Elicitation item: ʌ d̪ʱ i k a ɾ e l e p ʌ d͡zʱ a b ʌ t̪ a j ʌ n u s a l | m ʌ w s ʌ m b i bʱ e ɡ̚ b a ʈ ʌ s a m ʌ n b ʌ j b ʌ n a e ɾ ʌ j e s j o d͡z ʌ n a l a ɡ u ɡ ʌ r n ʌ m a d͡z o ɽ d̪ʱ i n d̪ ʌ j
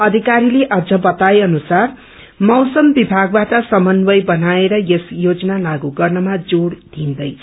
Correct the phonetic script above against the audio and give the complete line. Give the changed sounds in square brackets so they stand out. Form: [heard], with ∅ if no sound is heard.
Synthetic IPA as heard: ʌ d̪ʱ i k a ɾ [i] l e [ʔ] ʌ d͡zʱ [ʌ] b ʌ t̪ a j ʌ n u s a [r] | m ʌ w s ʌ m b i bʱ [a] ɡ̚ b a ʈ ʌ s [ʌ] m ʌ n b ʌ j b ʌ n a e ɾ ʌ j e s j o d͡z ʌ n a l a ɡ u ɡ ʌ r n ʌ m a d͡z o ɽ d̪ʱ i n d̪ ʌ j